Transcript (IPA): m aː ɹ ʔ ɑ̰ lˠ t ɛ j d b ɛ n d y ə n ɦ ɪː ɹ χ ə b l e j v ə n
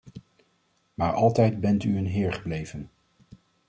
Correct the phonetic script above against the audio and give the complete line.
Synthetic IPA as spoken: m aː ɹ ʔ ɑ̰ lˠ t ɛ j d b ɛ n t y ə n ɦ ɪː ɹ χ ə b l e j v ə n